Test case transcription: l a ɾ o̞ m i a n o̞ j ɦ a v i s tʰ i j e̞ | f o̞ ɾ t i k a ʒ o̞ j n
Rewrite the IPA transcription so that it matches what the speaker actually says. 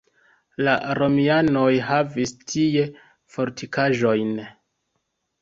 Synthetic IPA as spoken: l a ɾ o̞ m i a n o̞ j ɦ a v i s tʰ i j e̞ | f o̞ ɾ t i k a ʒ o̞ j n

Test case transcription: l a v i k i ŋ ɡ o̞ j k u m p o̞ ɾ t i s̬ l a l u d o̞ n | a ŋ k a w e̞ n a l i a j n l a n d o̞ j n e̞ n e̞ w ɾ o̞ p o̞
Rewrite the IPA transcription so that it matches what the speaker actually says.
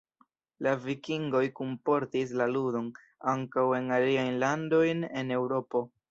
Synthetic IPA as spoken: l a v i k i ŋ ɡ o̞ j k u m p o̞ ɾ t i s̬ l a l u d o̞ n | a ŋ k a w e̞ n a l i a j n l a n d o̞ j n e̞ n e̞ w ɾ o̞ p o̞

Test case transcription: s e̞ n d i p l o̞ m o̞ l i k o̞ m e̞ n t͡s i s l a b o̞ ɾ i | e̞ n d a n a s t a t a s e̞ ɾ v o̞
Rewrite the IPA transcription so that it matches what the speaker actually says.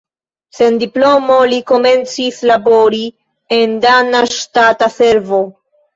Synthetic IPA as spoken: s e̞ n d i p l o̞ m o̞ l i k o̞ m e̞ n t͡s i s l a b o̞ ɾ i | e̞ n d a n a ʃ t a t a s e̞ ɾ v o̞

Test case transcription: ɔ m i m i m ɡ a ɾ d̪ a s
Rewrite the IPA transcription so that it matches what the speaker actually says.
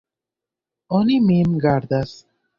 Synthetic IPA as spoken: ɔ n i m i m ɡ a ɾ d̪ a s

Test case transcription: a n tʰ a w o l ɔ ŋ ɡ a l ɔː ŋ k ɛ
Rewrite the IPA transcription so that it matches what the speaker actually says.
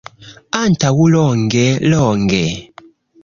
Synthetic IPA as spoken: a n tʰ a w u l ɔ ŋ ɡ ɛ l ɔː ŋ ɡ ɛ

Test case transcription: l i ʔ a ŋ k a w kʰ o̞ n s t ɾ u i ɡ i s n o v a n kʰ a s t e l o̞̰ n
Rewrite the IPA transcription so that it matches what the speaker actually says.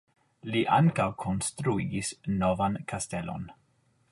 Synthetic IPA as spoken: l i ʔ a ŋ k a w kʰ o̞ n s t ɾ u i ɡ i s n o v a n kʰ a s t e l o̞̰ n

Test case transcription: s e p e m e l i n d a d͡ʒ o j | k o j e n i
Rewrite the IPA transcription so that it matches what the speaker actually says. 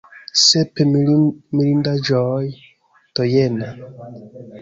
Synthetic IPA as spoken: s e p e m i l i n d a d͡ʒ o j | t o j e n a

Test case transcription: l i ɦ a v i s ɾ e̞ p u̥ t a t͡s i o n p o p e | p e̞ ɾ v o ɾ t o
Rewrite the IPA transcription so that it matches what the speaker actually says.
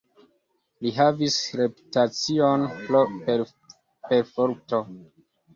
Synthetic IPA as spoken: l i ɦ a v i s ɾ e̞ p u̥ t a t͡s i o n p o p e | p e̞ ɾ f o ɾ t o

